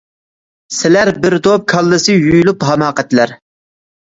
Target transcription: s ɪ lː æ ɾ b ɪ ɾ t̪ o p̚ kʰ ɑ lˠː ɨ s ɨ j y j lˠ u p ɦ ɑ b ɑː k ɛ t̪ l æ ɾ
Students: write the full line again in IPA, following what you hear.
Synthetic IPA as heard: s ɪ l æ ɾ b ɪ ɾ d̪ o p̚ kʰ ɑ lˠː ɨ s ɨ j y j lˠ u p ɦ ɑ m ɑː q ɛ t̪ l æ ɾ

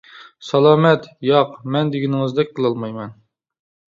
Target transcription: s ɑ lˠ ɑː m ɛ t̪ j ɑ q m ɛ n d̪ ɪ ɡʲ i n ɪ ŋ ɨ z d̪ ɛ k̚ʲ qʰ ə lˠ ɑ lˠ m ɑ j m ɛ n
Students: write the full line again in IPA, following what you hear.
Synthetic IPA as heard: s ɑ lˠ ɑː m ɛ t̪ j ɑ q m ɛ n d̪ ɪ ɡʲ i n ɪ ŋ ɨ z d̪ ɛ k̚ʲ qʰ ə lˠ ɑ lˠ m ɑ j m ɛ n

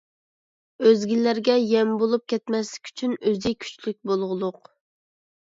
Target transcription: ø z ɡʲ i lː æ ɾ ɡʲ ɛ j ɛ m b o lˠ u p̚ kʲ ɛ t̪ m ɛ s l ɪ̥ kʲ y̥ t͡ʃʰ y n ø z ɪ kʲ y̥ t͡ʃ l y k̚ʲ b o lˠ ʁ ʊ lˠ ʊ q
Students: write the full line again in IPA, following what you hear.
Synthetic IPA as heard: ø z ɡʲ i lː æ ɾ ɡʲ ɛ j ɛ m b o lˠ u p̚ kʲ ɛ t̪ m ɛ s l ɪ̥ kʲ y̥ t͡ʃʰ y n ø z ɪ kʲʰ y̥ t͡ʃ l y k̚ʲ b o lˠ ʁ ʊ lˠ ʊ q

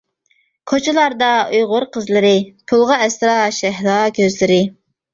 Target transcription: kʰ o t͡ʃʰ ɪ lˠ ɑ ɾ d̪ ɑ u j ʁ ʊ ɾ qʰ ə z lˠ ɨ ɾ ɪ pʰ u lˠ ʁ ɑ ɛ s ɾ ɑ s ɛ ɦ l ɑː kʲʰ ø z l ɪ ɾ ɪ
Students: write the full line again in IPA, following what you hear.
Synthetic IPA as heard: kʰ o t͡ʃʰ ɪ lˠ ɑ ɾ d̪ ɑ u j ʁ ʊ ɾ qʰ ə z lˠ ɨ ɾ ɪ pʰ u lˠ ʁ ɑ ɛ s ɾ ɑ ʃ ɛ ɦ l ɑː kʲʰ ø z l ɪ ɾ ɪ

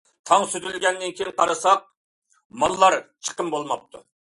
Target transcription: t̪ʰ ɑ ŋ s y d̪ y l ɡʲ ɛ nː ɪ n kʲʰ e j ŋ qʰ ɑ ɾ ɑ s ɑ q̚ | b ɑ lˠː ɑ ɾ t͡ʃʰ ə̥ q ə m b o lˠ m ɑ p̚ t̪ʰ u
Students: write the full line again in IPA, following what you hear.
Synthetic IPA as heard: t̪ʰ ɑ ŋ s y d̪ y l ɡʲ ɛ nː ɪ n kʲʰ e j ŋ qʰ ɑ ɾ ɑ s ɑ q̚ | m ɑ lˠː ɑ ɾ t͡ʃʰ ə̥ q ə m b o lˠ m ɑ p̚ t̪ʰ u

